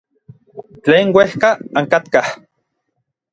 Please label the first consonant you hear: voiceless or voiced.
voiceless